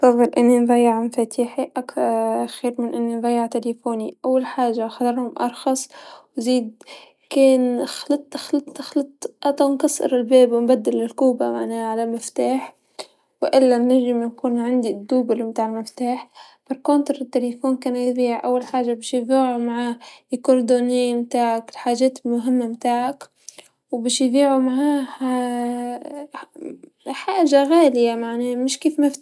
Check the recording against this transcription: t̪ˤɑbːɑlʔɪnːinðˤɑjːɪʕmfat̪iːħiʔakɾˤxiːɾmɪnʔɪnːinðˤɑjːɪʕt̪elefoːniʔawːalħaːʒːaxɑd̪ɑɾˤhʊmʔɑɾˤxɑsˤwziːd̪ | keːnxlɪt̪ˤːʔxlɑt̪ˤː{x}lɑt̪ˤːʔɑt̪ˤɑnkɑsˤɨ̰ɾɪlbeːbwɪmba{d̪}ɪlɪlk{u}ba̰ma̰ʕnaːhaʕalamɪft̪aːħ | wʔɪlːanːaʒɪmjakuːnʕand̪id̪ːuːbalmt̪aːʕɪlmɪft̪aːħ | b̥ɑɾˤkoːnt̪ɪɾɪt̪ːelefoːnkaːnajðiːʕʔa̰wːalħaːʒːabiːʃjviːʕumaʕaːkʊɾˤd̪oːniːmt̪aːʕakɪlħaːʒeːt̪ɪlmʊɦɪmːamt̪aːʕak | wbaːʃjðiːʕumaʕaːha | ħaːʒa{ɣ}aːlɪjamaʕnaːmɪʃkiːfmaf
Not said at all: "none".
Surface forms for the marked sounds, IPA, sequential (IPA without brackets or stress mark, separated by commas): x, d̪ː, uː, ɣ